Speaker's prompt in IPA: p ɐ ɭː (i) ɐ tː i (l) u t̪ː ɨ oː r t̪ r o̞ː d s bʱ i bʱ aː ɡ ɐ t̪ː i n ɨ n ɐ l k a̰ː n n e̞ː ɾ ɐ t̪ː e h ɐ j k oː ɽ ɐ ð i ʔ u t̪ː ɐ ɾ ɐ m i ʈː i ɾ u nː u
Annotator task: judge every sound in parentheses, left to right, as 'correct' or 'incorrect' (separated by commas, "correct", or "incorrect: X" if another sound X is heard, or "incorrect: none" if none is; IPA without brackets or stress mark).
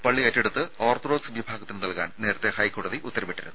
correct, incorrect: ɽ